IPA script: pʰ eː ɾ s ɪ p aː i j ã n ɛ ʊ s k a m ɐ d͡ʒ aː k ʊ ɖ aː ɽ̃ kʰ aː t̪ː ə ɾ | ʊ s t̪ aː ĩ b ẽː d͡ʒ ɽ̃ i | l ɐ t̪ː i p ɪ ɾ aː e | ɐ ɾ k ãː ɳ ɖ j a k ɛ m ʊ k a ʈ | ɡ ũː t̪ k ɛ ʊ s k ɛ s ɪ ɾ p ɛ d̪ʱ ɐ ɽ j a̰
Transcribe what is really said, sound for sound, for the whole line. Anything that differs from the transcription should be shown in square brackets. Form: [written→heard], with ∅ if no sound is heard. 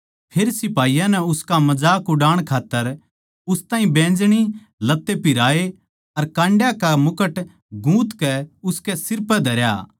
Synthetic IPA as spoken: pʰ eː ɾ s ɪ p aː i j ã n ɛ ʊ s k a m ɐ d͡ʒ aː k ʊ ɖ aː ɽ̃ kʰ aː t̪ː ə ɾ | ʊ s t̪ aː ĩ b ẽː d͡ʒ ɽ̃ i | l ɐ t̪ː [i→e] p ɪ ɾ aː e | ɐ ɾ k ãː ɳ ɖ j a k [ɛ→a] m ʊ k [a→ə] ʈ | ɡ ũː t̪ k ɛ ʊ s k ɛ s ɪ ɾ p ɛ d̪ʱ ɐ [ɽ→ɾ] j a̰